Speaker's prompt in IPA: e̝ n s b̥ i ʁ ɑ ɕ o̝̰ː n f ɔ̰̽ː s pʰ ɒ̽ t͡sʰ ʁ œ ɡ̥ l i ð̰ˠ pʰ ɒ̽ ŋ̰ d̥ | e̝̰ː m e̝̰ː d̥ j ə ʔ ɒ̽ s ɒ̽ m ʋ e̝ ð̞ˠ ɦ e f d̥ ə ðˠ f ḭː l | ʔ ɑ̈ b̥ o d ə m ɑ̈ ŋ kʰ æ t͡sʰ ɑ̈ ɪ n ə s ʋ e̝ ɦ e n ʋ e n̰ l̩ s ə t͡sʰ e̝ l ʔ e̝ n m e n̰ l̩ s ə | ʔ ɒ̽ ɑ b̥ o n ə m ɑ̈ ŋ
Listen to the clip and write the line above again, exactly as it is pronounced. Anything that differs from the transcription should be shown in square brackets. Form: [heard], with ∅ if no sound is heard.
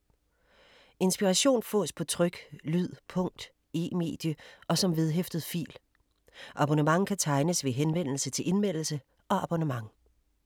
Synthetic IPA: e̝ n s b̥ i ʁ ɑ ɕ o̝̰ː n f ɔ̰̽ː s pʰ ɒ̽ t͡sʰ ʁ œ ɡ̥ l [y] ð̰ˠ pʰ [ɔ̽] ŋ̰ d̥ | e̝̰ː m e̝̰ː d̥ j ə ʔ ɒ̽ s ɒ̽ m ʋ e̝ ð̞ˠ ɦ e f d̥ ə ðˠ f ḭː l | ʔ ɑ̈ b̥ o [n] ə m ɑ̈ ŋ kʰ æ t͡sʰ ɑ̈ ɪ n ə s ʋ e̝ ɦ e n ʋ e n̰ l̩ s ə t͡sʰ e̝ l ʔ e̝ n m e n̰ l̩ s ə | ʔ ɒ̽ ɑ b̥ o n ə m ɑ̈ ŋ